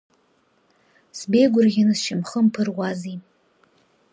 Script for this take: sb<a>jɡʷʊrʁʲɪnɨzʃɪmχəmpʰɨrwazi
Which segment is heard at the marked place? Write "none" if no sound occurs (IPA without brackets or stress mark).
e